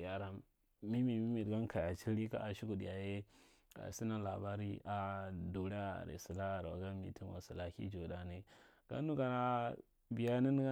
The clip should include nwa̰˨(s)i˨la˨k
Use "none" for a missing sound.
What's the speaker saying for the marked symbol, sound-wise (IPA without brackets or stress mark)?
s